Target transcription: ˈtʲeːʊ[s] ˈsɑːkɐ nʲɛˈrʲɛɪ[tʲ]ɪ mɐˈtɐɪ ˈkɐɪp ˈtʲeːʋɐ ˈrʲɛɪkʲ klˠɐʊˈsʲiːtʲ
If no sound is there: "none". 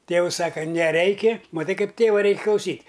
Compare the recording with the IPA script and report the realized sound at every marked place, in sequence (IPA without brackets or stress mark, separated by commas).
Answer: s, kʲ